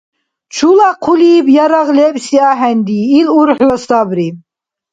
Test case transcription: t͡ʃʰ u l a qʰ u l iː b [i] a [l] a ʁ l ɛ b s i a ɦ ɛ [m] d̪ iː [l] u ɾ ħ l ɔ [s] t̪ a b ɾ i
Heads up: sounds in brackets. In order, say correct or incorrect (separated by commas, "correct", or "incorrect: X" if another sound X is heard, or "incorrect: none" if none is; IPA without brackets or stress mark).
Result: incorrect: j, incorrect: ɾ, incorrect: n, correct, correct